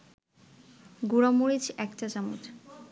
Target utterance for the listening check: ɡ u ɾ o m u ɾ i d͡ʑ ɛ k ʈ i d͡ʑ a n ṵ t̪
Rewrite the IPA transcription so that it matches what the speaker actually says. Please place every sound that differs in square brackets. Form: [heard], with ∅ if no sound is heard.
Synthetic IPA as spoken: ɡ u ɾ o m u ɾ i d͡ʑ ɛ k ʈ [a] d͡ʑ a [m] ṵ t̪